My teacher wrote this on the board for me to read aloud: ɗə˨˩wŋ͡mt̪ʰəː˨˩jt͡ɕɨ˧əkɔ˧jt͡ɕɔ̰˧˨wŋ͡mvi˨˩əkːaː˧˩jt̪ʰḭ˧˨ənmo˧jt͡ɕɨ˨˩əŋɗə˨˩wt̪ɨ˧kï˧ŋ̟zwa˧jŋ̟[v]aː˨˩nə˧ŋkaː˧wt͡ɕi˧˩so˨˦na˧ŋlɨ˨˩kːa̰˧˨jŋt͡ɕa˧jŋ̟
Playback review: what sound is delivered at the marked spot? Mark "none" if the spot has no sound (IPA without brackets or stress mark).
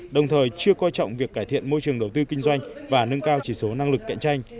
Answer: v